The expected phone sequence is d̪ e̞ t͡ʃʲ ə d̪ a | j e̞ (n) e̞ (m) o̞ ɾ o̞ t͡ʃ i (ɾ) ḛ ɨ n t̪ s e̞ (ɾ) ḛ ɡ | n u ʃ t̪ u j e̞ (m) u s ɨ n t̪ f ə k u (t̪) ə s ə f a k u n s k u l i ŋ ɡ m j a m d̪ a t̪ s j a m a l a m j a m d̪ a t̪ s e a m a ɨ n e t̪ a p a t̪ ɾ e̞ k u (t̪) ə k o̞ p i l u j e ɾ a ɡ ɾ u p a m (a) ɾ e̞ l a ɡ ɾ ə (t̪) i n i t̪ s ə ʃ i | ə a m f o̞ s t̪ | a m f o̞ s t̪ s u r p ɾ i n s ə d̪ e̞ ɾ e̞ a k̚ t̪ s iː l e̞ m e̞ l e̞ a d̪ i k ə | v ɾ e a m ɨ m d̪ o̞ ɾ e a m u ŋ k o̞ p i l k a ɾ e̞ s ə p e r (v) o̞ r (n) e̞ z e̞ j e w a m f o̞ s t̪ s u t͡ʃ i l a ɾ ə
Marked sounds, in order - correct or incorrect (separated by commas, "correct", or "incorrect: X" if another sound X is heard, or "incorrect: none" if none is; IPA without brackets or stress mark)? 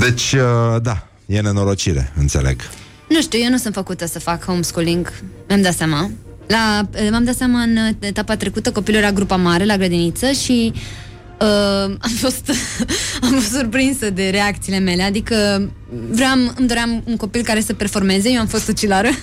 correct, incorrect: n, correct, incorrect: l, incorrect: n, correct, correct, correct, incorrect: d̪, incorrect: f, incorrect: m